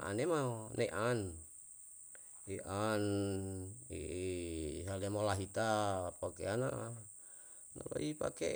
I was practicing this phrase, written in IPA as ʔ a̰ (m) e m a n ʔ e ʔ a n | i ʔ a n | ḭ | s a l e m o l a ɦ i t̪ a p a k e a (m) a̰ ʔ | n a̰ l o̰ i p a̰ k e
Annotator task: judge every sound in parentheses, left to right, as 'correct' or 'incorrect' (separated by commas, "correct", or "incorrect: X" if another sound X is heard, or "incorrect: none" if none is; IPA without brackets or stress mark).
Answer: incorrect: n, incorrect: n